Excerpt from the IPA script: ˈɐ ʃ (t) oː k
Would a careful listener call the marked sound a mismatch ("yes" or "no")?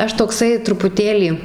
no